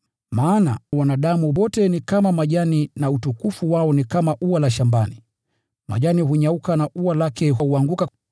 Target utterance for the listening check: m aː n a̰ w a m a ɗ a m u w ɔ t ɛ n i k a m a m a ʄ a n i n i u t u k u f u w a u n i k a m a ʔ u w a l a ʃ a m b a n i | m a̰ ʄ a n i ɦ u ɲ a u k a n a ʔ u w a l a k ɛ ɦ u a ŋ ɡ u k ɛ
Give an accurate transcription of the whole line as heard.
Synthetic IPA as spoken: m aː n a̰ w a n a ɗ a m u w ɔ t ɛ n i k a m a m a ʄ a n i n a u t u k u f u w a ɔ n i k a m a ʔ u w a l a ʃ a m b a n i | m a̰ ʄ a n i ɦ u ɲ a u k a n a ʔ u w a l a k ɛ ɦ u a ŋ ɡ u k a